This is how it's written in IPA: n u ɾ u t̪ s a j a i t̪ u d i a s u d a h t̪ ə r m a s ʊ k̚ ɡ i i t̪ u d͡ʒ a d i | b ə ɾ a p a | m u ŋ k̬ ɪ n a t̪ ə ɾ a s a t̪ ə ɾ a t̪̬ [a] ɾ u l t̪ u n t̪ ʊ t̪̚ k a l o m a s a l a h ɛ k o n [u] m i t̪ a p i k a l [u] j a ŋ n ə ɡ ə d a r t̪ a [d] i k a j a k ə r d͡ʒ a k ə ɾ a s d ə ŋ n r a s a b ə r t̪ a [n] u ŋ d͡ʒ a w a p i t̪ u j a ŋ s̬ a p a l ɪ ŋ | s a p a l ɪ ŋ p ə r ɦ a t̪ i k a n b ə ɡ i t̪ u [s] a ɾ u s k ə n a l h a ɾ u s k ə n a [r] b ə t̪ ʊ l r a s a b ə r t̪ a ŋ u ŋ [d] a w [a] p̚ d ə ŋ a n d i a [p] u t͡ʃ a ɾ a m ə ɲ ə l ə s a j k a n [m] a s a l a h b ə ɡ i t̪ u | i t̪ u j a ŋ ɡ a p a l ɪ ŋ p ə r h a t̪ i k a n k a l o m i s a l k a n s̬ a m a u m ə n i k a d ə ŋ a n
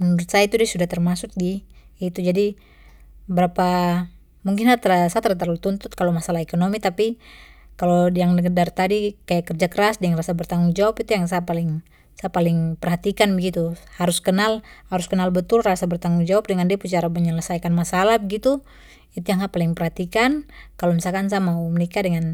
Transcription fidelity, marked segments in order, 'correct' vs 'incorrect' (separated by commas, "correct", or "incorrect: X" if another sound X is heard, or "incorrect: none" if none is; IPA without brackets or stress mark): correct, incorrect: o, incorrect: o, correct, incorrect: ŋ, incorrect: h, incorrect: l, incorrect: d͡ʒ, correct, correct, correct